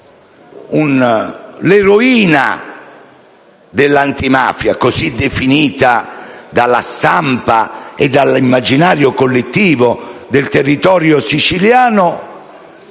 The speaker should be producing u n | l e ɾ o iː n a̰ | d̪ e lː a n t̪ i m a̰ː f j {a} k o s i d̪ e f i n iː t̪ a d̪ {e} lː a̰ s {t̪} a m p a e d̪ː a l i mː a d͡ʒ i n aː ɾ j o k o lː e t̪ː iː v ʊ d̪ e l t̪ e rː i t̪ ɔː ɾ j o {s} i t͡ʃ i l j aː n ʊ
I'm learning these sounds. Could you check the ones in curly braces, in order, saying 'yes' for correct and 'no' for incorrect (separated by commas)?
yes, no, yes, yes